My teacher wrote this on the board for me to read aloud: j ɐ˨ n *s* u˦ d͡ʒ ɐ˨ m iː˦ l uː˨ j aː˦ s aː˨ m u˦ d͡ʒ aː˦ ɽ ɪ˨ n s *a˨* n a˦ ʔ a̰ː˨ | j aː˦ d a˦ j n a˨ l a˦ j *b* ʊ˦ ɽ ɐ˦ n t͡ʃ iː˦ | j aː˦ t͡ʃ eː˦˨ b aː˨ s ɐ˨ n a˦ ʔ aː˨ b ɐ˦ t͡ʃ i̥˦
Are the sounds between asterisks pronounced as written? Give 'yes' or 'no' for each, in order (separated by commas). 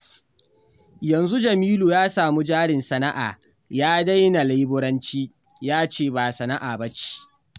no, no, yes